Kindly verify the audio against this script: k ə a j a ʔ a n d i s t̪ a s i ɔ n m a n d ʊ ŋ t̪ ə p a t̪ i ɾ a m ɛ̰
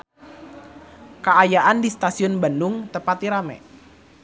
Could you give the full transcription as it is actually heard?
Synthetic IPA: k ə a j a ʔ a n d i s t̪ a s i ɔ n b a n d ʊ ŋ t̪ ə p a t̪ i ɾ a m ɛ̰